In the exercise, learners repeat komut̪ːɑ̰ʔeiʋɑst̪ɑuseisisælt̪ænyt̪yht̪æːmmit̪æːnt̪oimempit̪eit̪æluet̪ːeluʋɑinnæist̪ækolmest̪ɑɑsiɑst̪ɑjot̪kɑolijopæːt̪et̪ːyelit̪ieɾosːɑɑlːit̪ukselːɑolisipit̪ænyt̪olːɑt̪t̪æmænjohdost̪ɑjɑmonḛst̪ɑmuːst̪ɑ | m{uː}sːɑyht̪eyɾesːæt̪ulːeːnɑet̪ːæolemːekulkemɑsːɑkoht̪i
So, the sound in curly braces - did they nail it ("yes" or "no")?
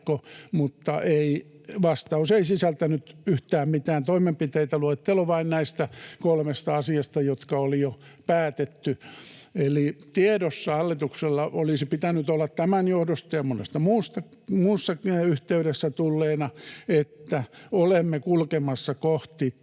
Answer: yes